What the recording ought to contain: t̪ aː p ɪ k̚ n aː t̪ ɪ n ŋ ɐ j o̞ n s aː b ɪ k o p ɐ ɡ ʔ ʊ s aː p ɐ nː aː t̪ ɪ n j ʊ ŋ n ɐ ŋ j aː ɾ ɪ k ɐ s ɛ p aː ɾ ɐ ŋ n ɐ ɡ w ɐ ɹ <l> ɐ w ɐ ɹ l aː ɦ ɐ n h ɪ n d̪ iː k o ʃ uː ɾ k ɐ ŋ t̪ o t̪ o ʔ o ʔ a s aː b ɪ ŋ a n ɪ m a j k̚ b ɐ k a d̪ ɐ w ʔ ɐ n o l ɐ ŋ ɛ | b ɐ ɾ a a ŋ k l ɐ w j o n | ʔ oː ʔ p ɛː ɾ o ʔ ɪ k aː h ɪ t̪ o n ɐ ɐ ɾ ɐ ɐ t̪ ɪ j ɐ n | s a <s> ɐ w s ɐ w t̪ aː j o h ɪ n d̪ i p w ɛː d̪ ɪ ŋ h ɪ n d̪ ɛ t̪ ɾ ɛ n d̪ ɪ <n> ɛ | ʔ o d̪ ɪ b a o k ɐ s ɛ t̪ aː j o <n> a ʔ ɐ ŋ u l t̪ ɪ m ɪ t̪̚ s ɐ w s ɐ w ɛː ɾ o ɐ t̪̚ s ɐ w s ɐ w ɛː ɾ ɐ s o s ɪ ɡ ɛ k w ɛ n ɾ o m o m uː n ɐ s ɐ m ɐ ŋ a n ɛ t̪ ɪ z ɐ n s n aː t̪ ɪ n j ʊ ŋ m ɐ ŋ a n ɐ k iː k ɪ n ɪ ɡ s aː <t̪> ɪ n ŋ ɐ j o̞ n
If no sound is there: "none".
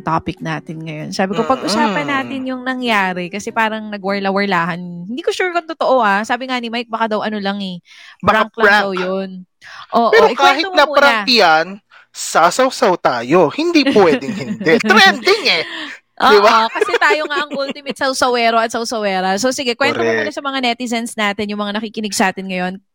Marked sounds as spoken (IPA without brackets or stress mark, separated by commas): l, s, ŋ, ŋ, t̪